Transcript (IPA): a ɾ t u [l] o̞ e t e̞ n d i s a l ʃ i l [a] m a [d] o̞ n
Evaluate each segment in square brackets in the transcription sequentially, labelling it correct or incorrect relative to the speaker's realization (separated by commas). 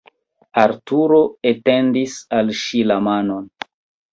incorrect, correct, incorrect